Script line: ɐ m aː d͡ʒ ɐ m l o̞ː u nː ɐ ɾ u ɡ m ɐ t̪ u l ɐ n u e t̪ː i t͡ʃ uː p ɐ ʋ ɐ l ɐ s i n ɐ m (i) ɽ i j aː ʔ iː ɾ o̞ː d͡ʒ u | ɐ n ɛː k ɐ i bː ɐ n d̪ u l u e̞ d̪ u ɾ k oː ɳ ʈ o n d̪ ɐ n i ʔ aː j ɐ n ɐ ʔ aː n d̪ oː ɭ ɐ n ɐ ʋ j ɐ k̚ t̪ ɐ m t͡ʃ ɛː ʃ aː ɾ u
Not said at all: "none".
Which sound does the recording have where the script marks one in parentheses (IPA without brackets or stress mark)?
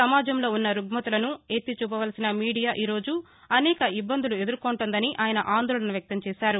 iː